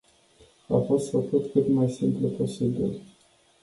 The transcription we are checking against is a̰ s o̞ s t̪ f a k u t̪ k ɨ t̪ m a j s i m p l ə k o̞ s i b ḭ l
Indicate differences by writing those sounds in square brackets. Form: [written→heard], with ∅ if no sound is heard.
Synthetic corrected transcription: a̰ [s→f] o̞ s t̪ f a k u t̪ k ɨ t̪ m a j s i m p l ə [k→p] o̞ s i b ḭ l